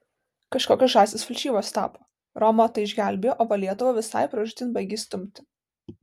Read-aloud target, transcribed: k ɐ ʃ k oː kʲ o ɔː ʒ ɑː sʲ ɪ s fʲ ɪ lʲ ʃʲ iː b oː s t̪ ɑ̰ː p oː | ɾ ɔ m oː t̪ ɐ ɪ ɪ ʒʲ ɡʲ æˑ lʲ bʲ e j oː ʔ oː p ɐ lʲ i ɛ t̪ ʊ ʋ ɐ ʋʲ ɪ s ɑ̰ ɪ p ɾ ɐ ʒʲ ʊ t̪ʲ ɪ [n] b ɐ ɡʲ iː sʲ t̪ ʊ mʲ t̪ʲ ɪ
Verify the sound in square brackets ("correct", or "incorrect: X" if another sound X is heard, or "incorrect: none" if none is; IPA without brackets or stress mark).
correct